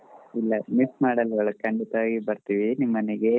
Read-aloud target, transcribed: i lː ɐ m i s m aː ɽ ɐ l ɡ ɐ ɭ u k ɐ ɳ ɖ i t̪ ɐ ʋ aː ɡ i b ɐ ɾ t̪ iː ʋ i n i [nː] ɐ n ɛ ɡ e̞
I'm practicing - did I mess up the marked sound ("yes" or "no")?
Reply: yes